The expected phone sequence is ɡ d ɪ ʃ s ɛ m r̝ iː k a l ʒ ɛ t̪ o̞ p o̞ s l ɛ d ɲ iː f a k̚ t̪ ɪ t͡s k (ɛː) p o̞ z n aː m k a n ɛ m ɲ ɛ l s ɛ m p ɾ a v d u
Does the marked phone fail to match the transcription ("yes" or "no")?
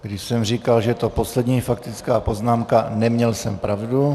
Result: yes